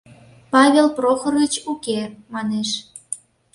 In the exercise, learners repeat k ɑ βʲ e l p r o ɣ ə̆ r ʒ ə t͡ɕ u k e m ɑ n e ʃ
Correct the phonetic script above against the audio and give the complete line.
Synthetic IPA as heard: p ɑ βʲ e l p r o x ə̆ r ɣ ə t͡ɕ u k e m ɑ n e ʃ

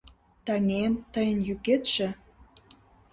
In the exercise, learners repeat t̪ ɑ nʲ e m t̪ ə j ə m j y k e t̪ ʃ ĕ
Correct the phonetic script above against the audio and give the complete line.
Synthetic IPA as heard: t̪ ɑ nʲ e m t̪ ə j ə n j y k e t̪ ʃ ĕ

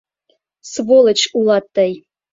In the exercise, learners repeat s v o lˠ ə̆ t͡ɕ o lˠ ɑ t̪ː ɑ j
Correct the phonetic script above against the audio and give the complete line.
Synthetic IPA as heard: s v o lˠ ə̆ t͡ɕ u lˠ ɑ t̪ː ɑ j

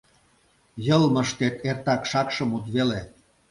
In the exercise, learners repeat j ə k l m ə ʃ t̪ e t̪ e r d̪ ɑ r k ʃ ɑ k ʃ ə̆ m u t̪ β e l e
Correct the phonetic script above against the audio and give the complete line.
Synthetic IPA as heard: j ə l m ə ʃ t̪ e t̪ e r t̪ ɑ k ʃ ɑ k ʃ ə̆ m u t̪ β e l e

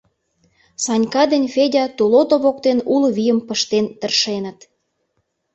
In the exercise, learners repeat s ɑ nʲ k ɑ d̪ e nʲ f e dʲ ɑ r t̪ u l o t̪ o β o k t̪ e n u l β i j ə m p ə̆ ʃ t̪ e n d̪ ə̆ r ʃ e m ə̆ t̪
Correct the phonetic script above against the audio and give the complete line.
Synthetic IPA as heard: s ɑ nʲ k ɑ d̪ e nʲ f e dʲ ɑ t̪ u l o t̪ o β o k t̪ e n u l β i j ə m p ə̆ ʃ t̪ e n t̪ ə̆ r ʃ e n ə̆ t̪

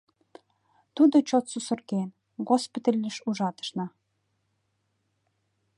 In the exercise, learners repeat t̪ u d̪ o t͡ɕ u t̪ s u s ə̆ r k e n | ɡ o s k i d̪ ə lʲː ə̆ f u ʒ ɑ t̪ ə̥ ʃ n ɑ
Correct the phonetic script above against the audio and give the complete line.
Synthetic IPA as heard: t̪ u d̪ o t͡ɕ o t̪ s u s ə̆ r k e n | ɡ o s p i t̪ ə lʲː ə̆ ʃ u ʒ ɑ t̪ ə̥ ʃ n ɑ

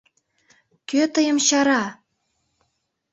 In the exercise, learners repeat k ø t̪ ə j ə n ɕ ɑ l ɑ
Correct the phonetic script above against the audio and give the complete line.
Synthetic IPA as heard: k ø t̪ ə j ə m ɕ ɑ ɾ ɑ

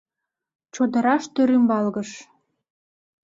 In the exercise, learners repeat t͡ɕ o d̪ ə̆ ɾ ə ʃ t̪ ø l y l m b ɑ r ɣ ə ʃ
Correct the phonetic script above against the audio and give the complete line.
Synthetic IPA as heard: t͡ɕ o d̪ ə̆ ɾ ɑ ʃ t̪ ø ɾ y m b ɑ l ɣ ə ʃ

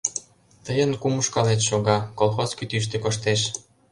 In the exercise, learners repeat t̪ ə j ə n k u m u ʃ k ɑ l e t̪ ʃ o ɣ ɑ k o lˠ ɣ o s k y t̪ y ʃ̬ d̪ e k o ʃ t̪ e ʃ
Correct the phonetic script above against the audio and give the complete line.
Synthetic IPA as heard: t̪ ə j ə n k u m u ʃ k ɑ l e t̪ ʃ o ɣ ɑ k o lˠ x o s k y t̪ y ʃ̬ t̪ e k o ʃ t̪ e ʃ

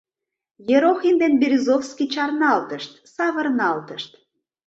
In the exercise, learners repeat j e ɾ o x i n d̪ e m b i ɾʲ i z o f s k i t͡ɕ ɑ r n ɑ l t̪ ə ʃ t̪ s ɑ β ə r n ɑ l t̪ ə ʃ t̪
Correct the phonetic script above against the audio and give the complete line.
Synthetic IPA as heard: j e ɾ o x i n d̪ e n b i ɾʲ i z o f s k i t͡ɕ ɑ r n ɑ l t̪ ə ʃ t̪ s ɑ β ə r n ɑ l t̪ ə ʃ t̪

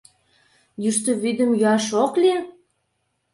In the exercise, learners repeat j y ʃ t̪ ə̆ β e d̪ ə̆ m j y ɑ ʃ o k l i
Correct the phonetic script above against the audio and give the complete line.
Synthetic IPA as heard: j y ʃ t̪ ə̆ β i d̪ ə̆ m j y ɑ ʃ o k l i

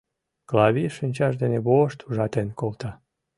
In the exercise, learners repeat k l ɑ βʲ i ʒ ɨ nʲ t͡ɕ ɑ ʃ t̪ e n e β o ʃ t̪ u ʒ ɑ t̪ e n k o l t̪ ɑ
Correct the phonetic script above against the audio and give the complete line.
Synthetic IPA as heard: k l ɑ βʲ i ʃ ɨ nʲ t͡ɕ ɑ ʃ d̪ e n e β o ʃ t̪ u ʒ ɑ t̪ e n k o l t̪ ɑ

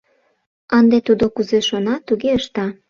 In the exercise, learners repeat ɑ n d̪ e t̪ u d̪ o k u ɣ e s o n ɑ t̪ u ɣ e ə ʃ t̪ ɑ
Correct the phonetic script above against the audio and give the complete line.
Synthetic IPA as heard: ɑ n d̪ e t̪ u d̪ o k u z e ʃ o n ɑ t̪ u ɣ e ə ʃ t̪ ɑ

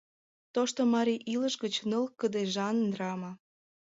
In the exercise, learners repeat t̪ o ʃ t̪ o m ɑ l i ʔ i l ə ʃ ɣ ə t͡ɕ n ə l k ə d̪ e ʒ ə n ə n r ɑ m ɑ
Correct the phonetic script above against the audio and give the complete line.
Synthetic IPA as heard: t̪ o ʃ t̪ o m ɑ ɾ i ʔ i l ə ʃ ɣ ə t͡ɕ n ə l k ə d̪ e ʒ ɑ n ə n r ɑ m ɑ

